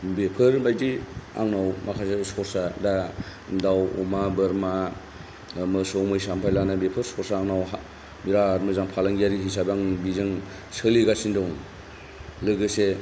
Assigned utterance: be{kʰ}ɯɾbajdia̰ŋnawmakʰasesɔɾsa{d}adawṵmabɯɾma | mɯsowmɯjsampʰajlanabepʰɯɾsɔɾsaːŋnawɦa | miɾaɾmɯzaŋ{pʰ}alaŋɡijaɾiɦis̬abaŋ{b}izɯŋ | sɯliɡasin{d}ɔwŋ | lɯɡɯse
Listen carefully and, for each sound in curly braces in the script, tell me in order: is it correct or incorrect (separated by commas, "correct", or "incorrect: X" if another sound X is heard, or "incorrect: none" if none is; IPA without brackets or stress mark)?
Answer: incorrect: pʰ, correct, correct, correct, correct